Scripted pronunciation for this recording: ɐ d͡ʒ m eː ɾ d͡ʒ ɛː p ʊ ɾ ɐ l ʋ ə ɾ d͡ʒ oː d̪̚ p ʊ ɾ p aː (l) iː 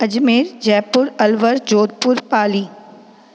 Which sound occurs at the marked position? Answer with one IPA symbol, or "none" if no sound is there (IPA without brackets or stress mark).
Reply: l